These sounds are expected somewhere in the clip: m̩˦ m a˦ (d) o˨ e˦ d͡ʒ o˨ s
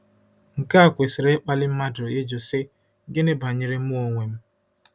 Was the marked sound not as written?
no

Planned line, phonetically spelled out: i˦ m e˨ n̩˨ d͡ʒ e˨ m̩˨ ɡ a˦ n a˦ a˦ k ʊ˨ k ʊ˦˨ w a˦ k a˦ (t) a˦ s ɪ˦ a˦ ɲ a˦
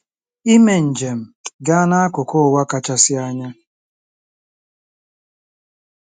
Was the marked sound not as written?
yes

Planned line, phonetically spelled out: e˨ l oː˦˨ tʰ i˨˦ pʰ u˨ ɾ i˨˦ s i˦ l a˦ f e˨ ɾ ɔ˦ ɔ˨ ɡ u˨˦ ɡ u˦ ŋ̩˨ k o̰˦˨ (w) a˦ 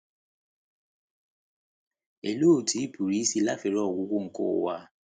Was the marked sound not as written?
no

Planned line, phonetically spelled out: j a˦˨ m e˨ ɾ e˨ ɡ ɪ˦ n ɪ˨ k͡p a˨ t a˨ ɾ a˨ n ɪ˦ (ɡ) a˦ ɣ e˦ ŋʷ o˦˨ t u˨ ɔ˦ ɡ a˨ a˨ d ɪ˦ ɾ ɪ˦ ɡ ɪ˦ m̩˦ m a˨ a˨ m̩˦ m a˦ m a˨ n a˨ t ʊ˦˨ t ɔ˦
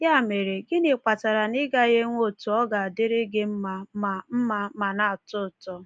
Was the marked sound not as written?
no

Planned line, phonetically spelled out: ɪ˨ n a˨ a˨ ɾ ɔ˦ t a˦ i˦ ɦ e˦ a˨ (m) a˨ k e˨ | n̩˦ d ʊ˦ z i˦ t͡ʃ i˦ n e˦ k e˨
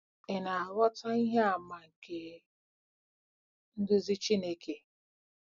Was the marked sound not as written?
no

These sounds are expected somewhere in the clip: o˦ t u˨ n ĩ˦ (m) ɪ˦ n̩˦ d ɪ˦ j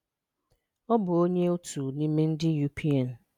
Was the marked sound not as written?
no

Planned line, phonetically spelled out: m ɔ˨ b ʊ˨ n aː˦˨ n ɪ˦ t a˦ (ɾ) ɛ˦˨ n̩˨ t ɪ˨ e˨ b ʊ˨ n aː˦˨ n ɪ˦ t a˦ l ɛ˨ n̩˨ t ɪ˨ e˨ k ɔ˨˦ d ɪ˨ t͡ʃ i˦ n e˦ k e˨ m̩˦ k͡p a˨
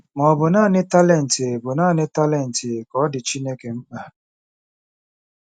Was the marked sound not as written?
yes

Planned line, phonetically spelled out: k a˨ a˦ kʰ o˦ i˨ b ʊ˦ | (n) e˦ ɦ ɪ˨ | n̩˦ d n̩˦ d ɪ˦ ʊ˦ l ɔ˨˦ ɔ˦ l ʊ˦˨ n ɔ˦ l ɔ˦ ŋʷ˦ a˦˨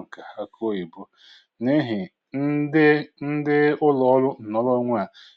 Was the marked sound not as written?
no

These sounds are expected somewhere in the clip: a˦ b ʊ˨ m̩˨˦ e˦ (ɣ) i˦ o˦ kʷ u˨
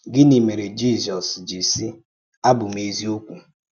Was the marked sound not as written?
yes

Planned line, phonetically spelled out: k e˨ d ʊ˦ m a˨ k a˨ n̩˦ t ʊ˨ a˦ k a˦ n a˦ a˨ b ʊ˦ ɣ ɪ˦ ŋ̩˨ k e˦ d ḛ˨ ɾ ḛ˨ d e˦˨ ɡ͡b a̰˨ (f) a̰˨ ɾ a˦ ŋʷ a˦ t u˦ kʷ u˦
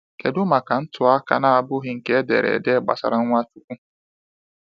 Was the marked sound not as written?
yes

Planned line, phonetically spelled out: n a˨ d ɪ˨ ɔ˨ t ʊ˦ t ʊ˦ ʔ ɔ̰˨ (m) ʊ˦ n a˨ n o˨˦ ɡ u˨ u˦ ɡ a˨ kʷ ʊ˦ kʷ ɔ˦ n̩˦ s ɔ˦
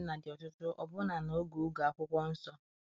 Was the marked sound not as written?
yes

